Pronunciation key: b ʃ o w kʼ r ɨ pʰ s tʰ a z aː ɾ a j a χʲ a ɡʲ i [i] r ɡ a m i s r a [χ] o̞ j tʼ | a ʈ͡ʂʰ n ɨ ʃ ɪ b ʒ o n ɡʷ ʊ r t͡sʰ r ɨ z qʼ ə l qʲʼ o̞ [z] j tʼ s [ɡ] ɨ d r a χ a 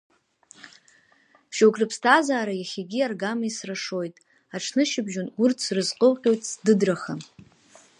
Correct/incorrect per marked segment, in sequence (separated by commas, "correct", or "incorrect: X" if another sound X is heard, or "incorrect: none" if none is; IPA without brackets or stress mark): incorrect: a, incorrect: ʂ, incorrect: none, incorrect: d